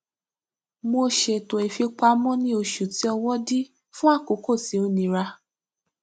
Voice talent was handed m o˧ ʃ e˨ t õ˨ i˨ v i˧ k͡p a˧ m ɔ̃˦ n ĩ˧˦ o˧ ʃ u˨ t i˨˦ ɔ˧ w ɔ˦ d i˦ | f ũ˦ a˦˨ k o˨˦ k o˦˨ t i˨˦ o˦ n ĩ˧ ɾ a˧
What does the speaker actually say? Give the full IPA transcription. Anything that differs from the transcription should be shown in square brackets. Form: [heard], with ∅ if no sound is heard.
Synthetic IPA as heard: m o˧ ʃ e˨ t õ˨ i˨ [f] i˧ k͡p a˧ m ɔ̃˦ n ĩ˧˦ o˧ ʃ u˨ t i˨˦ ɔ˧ w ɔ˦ d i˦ | f ũ˦ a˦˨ k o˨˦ k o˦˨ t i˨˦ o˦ n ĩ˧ ɾ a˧